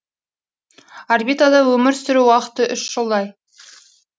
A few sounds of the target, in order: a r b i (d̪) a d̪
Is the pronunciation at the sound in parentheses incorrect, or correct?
incorrect